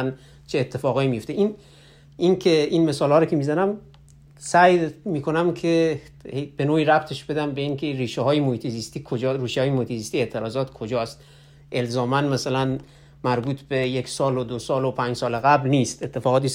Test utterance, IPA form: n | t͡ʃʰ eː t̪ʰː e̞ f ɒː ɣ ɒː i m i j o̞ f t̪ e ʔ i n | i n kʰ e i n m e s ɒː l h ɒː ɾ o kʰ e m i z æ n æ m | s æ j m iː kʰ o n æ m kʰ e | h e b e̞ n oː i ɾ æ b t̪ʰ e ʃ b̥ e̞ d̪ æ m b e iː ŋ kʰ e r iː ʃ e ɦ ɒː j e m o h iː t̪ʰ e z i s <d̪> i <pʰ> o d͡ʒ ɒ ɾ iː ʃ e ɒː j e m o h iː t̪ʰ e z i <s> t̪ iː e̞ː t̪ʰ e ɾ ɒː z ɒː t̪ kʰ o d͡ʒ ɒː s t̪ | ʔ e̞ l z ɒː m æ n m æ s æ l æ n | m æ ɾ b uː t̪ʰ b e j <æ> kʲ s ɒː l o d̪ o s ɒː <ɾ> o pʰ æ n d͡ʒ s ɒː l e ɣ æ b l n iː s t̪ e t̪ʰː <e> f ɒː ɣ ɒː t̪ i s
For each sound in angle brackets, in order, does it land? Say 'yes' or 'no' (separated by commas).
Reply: no, no, yes, no, no, yes